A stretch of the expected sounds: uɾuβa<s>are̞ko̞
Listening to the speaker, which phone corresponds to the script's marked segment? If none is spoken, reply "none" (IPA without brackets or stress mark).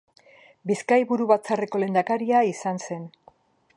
t͡s